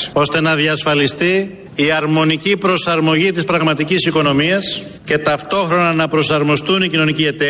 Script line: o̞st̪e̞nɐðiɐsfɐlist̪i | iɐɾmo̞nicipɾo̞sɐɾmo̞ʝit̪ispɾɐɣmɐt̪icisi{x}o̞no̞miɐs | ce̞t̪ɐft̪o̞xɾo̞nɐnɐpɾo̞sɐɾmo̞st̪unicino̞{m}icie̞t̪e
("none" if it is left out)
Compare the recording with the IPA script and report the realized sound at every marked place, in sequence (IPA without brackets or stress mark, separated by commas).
k, n